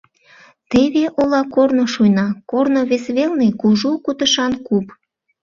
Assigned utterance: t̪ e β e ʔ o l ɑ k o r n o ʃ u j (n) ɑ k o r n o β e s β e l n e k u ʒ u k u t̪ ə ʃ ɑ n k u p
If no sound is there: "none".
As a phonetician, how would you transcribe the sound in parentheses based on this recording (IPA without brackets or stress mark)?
n